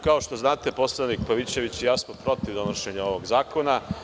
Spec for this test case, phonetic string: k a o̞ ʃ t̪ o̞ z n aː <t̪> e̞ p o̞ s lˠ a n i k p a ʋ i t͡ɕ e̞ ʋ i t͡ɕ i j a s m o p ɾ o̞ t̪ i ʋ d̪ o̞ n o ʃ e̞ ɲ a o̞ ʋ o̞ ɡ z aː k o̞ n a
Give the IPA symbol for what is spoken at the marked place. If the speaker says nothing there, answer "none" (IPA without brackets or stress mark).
t̪